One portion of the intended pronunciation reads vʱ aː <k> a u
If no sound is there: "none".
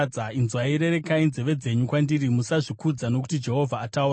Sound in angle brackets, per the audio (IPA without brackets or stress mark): t